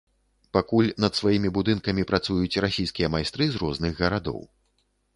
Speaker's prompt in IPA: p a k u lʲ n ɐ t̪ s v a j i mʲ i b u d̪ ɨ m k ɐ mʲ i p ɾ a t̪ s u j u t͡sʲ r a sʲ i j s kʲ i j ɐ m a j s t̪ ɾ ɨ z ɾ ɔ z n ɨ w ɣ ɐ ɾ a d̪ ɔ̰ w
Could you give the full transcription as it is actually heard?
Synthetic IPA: p a k u lʲ n ɐ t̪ s v a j i mʲ i b u d̪ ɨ n k ɐ mʲ i p ɾ a t̪ s u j u t͡sʲ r a sʲ i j s kʲ i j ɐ m a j s t̪ ɾ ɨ z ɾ ɔ z n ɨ ɣ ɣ ɐ ɾ a d̪ ɔ̰ w